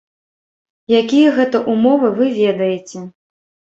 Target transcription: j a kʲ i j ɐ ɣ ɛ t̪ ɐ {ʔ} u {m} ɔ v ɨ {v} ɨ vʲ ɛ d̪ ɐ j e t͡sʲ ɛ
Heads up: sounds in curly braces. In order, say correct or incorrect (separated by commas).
correct, correct, correct